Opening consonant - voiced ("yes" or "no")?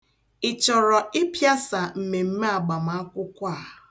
no